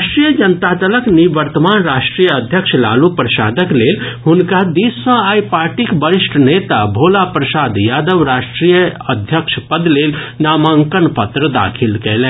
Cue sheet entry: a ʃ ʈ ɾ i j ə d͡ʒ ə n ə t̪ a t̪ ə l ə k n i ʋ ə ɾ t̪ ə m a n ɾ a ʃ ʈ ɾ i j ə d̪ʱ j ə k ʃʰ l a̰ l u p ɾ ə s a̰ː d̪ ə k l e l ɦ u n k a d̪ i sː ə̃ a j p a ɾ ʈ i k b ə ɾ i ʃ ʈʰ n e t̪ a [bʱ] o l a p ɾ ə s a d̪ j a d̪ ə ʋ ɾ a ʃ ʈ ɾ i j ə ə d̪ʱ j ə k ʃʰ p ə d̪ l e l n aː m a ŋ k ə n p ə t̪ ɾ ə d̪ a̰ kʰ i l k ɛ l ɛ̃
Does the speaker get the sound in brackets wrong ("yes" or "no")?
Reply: no